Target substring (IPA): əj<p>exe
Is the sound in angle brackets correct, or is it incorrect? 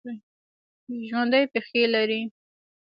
correct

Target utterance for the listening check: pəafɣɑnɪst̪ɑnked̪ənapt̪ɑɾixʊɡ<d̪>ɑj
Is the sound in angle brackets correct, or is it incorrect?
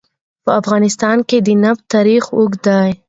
correct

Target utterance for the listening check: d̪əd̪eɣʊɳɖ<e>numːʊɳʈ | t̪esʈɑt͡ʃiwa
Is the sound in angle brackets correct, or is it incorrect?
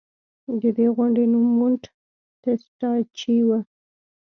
correct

